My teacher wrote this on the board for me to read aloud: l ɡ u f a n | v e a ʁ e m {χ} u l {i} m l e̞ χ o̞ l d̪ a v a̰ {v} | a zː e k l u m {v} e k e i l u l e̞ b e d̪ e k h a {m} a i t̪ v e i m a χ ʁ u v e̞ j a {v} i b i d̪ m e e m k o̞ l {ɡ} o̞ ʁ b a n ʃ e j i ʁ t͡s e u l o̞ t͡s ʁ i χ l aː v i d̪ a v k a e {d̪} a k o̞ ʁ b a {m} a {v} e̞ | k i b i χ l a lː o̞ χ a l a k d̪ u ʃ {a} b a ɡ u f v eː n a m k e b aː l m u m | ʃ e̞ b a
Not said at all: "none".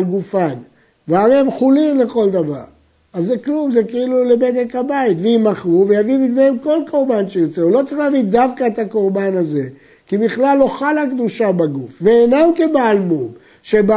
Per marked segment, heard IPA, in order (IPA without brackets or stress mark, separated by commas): χ, i, ʁ, z, b, v, k, t̪, n, z, a